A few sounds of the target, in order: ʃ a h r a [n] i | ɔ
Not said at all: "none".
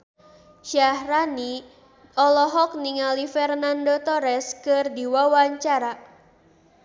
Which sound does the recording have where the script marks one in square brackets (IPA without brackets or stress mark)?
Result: n